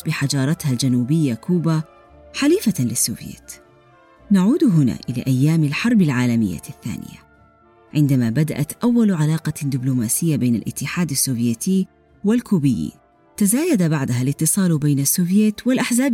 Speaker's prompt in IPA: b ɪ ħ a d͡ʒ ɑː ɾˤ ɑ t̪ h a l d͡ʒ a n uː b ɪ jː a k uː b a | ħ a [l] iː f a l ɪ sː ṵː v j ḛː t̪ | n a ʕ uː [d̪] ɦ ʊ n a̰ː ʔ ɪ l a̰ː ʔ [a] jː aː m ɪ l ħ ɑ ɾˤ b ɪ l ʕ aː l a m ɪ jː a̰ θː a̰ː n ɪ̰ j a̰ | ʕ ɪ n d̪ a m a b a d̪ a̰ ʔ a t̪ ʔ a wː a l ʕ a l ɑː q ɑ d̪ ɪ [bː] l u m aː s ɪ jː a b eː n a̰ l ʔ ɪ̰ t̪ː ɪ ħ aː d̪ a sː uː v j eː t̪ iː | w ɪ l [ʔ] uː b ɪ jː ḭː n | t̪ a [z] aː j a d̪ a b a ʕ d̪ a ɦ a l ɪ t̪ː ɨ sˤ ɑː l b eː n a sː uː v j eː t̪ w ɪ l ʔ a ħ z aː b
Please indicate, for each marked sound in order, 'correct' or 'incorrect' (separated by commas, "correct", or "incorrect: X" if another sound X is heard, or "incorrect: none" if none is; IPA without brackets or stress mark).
correct, correct, correct, incorrect: b, incorrect: k, correct